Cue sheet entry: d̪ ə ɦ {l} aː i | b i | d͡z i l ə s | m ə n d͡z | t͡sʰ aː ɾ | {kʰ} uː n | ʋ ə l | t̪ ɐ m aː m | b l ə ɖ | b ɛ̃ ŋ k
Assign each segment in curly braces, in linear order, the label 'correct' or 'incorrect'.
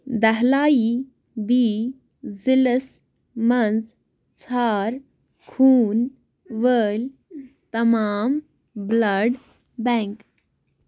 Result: correct, correct

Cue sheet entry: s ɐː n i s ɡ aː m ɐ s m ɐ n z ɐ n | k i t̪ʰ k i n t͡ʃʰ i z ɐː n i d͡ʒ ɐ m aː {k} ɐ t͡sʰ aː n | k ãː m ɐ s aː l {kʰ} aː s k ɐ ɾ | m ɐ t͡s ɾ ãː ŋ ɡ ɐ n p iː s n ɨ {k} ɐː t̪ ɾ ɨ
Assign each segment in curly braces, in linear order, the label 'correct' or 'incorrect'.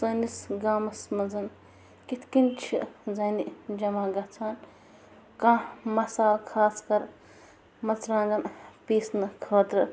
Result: incorrect: ɡ, correct, incorrect: kʰ

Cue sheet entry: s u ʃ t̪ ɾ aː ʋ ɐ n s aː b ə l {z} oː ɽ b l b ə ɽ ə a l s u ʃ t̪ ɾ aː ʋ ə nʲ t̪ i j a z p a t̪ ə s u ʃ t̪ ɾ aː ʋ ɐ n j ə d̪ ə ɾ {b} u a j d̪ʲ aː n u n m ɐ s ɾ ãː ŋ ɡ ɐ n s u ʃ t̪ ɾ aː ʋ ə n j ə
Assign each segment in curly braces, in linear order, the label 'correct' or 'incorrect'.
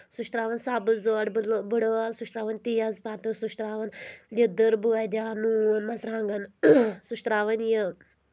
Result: correct, correct

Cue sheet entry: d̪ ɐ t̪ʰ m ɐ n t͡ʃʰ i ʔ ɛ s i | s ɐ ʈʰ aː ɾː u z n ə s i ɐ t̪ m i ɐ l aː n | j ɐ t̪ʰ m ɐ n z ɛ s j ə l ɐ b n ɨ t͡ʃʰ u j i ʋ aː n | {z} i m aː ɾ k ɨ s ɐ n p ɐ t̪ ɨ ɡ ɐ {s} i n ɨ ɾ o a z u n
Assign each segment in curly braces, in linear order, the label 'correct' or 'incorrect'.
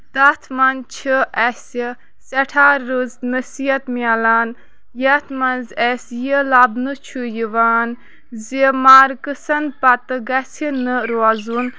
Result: correct, correct

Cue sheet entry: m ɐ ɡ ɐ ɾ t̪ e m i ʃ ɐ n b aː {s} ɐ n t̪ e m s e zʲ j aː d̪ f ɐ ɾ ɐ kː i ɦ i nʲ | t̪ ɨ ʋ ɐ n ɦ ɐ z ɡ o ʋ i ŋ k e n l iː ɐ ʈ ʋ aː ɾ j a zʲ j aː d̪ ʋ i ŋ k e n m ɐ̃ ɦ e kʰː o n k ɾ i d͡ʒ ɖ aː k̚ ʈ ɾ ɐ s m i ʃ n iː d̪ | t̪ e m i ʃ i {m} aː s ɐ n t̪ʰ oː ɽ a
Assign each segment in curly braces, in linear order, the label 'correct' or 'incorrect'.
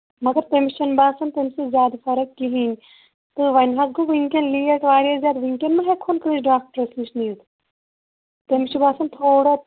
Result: correct, incorrect: b

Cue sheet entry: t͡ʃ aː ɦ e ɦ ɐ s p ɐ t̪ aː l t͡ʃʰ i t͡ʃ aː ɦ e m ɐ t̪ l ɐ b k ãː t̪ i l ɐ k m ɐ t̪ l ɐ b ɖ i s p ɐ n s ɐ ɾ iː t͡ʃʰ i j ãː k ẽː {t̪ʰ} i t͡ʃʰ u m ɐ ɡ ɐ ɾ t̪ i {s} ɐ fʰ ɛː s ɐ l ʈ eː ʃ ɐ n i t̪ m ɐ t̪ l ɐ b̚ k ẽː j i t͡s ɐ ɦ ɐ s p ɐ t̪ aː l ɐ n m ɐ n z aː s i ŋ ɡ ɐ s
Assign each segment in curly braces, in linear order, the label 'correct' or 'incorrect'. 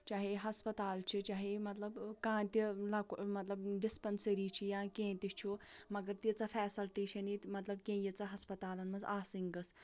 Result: incorrect: t̪, incorrect: t͡s

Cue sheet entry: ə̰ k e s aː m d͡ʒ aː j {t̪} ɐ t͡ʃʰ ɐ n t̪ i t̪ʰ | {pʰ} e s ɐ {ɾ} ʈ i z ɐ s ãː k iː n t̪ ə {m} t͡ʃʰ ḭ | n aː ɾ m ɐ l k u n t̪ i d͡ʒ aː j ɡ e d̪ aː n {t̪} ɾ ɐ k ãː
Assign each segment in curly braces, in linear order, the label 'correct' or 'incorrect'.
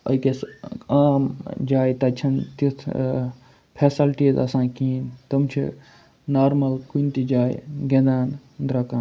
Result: correct, correct, incorrect: l, correct, incorrect: d̪

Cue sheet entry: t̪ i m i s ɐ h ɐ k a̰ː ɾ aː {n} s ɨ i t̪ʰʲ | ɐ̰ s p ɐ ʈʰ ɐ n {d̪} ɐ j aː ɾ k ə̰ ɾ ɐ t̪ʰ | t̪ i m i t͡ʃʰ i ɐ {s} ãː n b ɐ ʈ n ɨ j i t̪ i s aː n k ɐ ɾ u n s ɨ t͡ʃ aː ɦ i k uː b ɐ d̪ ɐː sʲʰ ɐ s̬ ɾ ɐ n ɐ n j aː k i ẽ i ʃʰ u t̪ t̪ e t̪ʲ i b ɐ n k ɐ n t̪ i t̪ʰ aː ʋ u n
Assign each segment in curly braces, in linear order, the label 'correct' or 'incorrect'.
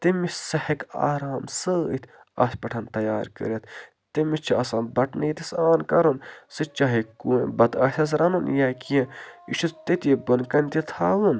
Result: incorrect: m, incorrect: t̪, correct

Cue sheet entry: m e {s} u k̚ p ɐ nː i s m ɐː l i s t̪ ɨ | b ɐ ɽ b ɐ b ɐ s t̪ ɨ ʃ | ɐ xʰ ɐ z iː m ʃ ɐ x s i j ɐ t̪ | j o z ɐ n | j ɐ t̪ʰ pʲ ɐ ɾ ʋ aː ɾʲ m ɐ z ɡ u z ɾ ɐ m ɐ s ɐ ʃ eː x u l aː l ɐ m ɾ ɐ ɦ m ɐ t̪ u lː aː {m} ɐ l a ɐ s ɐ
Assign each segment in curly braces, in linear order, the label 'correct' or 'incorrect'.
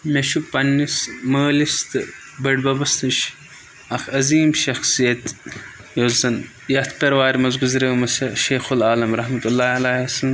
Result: incorrect: ʃ, incorrect: none

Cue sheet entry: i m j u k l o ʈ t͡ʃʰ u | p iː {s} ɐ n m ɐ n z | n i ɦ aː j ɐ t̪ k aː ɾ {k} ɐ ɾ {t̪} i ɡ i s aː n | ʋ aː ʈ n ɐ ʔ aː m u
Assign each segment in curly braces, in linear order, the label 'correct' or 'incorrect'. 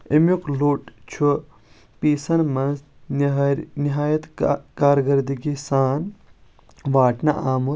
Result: correct, incorrect: ɡ, incorrect: d̪

